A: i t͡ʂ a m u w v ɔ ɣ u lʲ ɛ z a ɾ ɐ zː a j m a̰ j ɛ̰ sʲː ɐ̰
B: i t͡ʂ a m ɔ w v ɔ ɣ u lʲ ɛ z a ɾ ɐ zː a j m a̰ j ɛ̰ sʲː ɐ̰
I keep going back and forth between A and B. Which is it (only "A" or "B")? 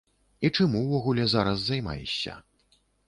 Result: A